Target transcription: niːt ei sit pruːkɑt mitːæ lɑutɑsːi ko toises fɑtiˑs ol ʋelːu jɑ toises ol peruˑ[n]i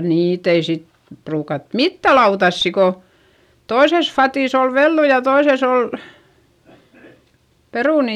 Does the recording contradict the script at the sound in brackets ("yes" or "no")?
no